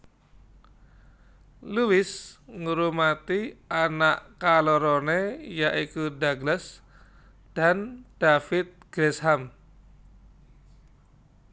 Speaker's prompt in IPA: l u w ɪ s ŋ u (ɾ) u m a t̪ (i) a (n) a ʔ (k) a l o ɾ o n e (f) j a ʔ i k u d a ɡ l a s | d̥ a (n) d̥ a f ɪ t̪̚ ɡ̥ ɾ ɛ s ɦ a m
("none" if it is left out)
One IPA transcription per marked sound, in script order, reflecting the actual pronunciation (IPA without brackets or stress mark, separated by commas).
ɾ, i, n, k, none, n